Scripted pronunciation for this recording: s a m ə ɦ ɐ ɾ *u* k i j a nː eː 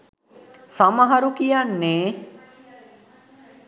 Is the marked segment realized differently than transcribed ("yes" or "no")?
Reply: no